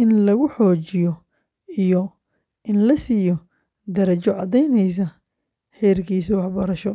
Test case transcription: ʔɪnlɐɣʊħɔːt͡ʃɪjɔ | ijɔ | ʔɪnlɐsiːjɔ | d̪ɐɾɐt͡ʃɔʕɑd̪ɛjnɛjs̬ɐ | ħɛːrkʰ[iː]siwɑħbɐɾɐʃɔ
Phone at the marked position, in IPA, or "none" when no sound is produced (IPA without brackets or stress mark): iː